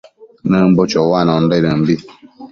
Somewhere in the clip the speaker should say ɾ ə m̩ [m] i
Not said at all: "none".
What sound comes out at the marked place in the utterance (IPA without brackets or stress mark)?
b